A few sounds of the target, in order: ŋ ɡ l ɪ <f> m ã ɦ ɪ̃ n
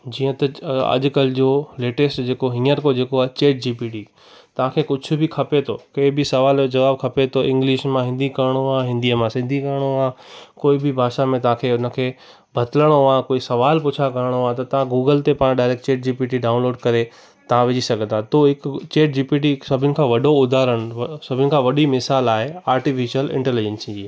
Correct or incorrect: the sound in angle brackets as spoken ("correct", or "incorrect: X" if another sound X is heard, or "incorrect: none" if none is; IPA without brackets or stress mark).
incorrect: ʃ